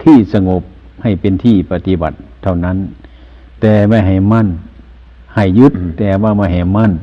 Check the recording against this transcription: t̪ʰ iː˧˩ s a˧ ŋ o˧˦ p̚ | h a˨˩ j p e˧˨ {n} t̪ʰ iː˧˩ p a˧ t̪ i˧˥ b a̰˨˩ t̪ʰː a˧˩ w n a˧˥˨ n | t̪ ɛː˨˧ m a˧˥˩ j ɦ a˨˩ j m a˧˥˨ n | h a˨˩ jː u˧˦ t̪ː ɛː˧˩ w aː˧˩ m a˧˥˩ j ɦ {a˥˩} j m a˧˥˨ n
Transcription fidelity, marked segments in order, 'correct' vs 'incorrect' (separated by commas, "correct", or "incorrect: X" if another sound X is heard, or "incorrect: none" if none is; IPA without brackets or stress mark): correct, incorrect: a˨˩